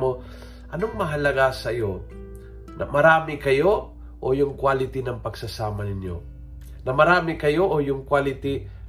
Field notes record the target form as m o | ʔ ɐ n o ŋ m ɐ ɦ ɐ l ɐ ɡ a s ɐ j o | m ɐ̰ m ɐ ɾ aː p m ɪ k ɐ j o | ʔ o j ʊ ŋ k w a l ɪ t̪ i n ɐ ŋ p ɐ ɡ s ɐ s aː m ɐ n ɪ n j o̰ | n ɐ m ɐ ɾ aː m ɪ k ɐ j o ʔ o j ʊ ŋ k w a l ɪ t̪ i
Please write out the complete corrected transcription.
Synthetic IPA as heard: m o | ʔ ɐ n o ŋ m ɐ ɦ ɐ l ɐ ɡ a s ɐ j o | n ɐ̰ m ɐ ɾ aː m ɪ k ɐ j o | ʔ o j ʊ ŋ k w a l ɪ t̪ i n ɐ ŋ p ɐ ɡ s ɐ s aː m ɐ n ɪ n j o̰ | n ɐ m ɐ ɾ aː m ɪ k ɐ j o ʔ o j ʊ ŋ k w a l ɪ t̪ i